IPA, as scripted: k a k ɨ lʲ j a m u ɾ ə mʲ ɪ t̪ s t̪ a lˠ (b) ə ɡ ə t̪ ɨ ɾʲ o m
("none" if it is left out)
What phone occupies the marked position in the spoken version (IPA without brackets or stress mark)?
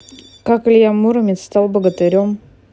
b